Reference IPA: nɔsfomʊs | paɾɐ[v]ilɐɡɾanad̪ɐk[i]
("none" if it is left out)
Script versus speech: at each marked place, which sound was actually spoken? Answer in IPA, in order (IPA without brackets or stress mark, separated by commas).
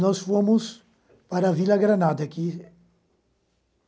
v, i